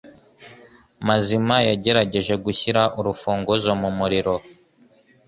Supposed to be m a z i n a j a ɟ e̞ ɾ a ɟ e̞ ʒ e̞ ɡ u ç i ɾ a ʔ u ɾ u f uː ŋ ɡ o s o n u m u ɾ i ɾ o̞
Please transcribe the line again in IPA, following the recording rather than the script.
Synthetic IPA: m a z i m a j a ɟ e̞ ɾ a ɟ e̞ ʒ e̞ ɡ u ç i ɾ a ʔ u ɾ u f uː ŋ ɡ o z o m u m u ɾ i ɾ o̞